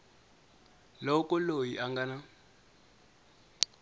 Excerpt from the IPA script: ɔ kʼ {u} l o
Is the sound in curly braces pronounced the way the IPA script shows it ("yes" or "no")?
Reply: no